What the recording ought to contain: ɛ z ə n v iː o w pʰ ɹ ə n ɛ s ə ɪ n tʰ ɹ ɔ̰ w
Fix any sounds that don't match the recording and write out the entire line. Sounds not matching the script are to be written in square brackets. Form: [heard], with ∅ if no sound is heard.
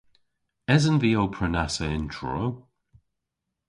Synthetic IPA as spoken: ɛ z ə n v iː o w pʰ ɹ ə n [a] s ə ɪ n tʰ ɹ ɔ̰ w